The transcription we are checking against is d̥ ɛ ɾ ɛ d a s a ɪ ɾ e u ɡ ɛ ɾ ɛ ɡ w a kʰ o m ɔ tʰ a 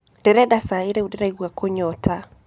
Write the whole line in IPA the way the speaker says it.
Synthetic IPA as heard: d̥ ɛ ɾ ɛ d a s a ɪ ɾ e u d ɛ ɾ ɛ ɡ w a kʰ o ɲ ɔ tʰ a